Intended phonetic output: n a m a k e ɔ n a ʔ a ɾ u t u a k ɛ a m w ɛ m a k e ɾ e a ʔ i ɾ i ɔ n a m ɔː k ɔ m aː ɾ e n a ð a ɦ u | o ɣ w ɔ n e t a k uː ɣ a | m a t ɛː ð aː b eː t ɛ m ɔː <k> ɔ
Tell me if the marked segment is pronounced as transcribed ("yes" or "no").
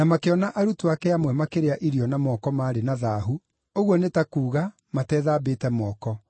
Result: yes